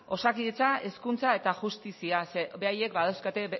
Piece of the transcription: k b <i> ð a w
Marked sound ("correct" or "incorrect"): incorrect